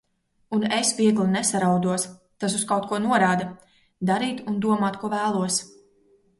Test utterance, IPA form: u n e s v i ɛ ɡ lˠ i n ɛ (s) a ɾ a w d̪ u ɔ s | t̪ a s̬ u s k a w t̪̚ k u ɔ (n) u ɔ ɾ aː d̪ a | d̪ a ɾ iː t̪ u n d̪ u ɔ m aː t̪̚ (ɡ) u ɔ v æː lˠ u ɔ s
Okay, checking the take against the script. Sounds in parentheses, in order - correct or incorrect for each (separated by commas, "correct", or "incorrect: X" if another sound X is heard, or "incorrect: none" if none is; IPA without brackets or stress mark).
correct, correct, incorrect: k